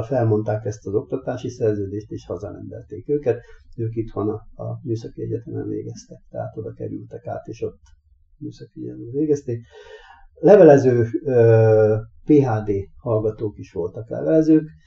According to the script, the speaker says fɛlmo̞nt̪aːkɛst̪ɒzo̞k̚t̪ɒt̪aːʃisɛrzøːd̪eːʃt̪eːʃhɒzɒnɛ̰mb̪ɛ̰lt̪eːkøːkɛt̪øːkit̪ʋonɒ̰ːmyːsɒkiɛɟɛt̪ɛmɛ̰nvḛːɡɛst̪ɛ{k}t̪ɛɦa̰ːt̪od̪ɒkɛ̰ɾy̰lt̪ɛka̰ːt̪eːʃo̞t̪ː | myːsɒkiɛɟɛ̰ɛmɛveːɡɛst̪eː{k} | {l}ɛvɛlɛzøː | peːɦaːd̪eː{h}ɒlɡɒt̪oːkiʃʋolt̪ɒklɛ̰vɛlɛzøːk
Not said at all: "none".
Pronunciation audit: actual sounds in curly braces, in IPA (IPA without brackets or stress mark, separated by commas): k, k, l, h